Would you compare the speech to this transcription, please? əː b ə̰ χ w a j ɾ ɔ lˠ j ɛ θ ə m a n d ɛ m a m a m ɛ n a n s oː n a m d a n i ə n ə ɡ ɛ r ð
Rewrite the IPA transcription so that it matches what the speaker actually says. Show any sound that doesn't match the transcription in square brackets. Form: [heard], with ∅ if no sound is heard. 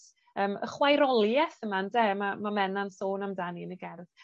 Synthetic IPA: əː [m] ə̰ χ w a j ɾ ɔ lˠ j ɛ θ ə m a n d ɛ m a m a m ɛ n a n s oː n a m d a n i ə n ə ɡ ɛ r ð

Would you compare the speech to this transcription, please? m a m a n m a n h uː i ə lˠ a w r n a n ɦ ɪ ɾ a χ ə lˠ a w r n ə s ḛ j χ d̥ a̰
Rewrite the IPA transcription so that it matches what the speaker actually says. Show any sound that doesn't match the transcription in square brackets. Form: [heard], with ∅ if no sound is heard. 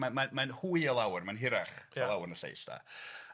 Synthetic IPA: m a m a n m a n h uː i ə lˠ a w r [m] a n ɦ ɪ ɾ a χ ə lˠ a w r n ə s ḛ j [s] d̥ a̰

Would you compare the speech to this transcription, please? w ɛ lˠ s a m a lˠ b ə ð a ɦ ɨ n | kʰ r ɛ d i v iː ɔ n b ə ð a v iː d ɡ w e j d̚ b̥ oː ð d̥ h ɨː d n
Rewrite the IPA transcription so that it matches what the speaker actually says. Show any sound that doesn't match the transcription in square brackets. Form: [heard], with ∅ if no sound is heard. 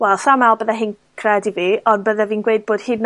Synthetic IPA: w ɛ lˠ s a m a lˠ b ə ð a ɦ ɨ n | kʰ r ɛ d i v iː ɔ n b ə ð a v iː [n] ɡ w e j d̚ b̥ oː [∅] d̥ h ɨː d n

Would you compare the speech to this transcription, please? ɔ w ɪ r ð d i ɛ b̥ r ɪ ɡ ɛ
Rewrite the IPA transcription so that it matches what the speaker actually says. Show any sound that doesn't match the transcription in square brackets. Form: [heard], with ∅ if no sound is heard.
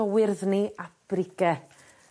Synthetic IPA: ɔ w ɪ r ð [n] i [a] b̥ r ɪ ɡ ɛ

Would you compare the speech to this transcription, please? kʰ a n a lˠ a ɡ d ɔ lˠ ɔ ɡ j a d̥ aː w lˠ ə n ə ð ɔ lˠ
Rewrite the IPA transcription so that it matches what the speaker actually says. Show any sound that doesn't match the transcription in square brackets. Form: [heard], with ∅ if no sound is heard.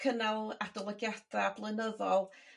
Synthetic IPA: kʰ [ə] n a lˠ a [∅] d ɔ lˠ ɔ ɡ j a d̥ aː [b] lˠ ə n ə ð ɔ lˠ

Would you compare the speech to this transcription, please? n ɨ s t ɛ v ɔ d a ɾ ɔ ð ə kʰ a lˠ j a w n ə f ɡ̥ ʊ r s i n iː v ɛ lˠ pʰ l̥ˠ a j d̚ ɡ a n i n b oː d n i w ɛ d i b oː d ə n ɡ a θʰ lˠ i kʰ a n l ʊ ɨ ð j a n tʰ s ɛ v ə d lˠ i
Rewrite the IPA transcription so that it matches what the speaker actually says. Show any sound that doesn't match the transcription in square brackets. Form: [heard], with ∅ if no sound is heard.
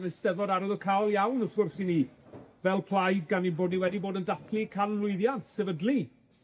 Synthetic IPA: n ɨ s t ɛ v ɔ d a ɾ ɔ ð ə kʰ a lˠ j a w n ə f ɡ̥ ʊ r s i n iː v ɛ lˠ pʰ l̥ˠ a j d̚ ɡ a n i n b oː d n i w ɛ d i b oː d ə n [d] a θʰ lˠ i kʰ a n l ʊ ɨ ð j a n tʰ s ɛ v ə d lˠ i

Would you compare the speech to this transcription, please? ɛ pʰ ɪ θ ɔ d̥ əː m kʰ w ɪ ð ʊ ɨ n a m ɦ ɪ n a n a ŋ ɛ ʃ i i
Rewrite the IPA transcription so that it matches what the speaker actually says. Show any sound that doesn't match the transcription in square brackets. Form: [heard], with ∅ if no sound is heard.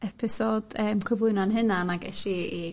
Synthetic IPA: ɛ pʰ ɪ [s] ɔ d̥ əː m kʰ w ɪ [v] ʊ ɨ n a [n] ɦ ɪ n a n a [ɡ] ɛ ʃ i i

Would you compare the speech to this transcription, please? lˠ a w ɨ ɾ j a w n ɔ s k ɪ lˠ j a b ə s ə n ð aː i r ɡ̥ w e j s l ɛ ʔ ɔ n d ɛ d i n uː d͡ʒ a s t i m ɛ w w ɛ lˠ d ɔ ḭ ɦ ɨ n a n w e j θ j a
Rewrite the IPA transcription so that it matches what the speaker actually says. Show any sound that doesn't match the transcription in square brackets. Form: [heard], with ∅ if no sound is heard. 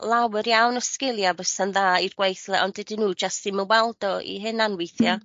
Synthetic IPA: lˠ a w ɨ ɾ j a w n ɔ s k ɪ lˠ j a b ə s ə n ð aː i r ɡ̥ w e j [θ] l ɛ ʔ ɔ n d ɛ d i n uː d͡ʒ a s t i m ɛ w w ɛ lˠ d ɔ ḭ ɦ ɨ n a n w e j θ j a

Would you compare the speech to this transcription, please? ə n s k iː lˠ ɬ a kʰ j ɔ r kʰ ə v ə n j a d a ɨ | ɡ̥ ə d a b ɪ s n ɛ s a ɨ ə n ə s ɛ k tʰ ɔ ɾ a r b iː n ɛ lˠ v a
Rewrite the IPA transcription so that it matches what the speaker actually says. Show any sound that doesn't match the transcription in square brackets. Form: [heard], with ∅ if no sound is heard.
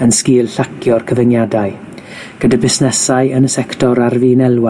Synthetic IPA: ə n s k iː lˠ ɬ a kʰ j ɔ r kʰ ə v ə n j a d a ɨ | ɡ̥ ə d a b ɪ s n ɛ s a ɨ ə n ə s ɛ k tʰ ɔ ɾ a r [v] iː n ɛ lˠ [w] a

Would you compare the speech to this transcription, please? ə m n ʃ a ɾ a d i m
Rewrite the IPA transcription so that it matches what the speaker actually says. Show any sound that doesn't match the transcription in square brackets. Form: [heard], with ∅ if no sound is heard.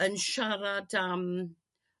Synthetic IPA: ə [∅] n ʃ a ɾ a d [a] m

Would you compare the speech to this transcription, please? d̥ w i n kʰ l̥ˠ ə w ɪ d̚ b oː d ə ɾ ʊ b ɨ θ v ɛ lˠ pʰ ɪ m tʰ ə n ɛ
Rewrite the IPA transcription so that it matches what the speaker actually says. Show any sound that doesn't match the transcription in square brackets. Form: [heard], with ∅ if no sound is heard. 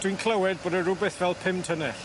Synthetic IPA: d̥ w i n kʰ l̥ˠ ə w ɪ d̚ b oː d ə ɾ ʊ b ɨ θ v ɛ lˠ pʰ ɪ m tʰ ə n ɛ

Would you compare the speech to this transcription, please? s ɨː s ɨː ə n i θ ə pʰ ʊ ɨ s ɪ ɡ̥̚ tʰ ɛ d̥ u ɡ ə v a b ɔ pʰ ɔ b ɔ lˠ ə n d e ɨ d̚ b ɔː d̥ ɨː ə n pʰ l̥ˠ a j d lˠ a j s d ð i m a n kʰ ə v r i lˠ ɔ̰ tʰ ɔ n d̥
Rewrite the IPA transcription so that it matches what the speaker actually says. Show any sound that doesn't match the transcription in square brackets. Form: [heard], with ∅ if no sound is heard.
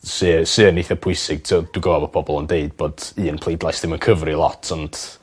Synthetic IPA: s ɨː s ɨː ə n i θ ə pʰ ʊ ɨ s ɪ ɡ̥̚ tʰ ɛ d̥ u ɡ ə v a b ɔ pʰ ɔ b ɔ lˠ ə n d e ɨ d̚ b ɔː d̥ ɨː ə n pʰ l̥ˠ [e] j d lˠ a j s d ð [ɪ] m [ə] n kʰ ə v r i lˠ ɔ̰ tʰ ɔ n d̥

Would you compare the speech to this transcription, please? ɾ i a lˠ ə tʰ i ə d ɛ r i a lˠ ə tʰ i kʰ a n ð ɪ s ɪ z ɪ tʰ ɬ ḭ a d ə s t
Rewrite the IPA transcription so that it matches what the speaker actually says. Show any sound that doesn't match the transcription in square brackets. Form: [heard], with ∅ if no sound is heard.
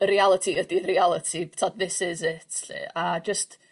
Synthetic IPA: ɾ i a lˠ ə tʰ i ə d [i] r i a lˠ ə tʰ i [tʰ] a [d] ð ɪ s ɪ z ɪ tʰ ɬ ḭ a [d͡ʒ] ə s t

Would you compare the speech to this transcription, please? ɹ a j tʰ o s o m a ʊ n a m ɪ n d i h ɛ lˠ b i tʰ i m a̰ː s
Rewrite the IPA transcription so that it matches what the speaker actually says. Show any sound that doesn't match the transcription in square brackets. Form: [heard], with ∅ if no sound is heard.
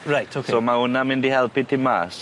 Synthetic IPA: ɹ a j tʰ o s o m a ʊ n a m ɪ n d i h ɛ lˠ [p] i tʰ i m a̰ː s

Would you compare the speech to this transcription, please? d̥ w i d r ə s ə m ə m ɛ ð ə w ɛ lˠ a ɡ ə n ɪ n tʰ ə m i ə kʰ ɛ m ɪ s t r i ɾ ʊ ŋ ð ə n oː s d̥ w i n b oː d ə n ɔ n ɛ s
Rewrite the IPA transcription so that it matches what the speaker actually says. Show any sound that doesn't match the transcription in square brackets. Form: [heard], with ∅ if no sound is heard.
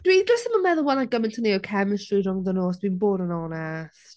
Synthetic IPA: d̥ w i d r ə s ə m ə m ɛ ð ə w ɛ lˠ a ɡ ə [m] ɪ n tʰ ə [n] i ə kʰ ɛ m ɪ s t r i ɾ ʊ ŋ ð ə n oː s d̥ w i n b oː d ə n ɔ n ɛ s

